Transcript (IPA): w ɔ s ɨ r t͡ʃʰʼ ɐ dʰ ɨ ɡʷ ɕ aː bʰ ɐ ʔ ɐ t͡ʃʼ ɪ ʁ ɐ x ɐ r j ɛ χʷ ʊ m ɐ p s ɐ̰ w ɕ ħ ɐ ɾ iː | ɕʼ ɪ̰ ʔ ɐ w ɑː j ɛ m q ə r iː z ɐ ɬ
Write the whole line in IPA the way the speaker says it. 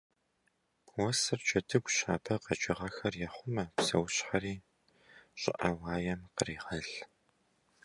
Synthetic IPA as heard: w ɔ s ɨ r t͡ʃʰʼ ɐ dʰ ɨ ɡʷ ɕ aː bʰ ɐ q ɐ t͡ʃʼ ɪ ʁ ɐ x ɐ r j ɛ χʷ ʊ m ɐ p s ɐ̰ w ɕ ħ ɐ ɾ iː | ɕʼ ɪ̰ ʔ ɐ w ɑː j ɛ m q ə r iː ʁ ɐ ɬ